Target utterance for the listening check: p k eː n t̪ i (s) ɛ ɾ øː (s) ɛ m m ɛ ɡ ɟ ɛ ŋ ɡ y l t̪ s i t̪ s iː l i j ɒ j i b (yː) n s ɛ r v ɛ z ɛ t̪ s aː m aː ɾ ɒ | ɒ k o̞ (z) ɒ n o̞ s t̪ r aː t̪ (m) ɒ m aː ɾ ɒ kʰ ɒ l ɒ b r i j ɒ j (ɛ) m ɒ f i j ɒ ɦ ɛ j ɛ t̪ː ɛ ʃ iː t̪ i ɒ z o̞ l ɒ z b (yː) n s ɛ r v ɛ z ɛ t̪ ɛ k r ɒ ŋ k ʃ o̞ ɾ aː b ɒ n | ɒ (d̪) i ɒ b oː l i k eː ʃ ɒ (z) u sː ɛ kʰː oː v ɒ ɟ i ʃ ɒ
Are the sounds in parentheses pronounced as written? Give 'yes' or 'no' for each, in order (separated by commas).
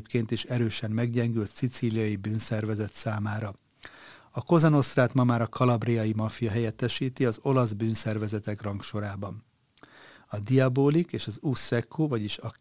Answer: no, no, yes, yes, yes, no, yes, yes, yes